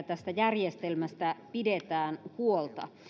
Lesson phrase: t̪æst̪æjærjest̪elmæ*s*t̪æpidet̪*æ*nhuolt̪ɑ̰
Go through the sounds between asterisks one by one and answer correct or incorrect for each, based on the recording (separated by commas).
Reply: correct, incorrect